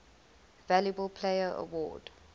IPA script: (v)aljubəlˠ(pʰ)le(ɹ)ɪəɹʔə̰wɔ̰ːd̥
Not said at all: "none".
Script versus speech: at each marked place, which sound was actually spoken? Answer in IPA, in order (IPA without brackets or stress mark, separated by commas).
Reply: v, pʰ, none